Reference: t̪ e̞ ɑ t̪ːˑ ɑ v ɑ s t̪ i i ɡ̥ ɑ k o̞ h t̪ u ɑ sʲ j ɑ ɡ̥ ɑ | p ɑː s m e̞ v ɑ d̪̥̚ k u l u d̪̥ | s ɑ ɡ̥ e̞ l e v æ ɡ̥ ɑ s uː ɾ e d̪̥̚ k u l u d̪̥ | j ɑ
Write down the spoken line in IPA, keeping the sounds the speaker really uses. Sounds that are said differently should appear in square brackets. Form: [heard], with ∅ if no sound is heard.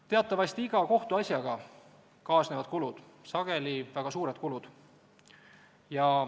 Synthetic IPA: t̪ e̞ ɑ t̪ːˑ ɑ v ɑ s t̪ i i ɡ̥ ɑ k o̞ h t̪ u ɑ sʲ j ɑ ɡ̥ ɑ | [k] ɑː s [n] e̞ v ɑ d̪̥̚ k u l u d̪̥ | s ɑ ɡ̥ e̞ l [i] v æ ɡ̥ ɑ s uː ɾ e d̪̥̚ k u l u d̪̥ | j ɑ